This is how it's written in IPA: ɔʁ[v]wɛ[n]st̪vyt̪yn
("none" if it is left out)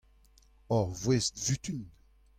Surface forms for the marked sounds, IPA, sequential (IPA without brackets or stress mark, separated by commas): v, none